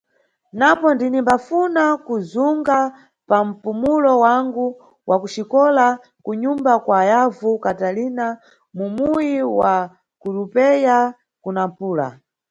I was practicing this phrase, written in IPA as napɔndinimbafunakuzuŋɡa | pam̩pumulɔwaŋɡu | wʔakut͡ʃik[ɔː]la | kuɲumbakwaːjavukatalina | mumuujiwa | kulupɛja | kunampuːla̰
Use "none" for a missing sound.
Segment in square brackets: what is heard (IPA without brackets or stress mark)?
ɔ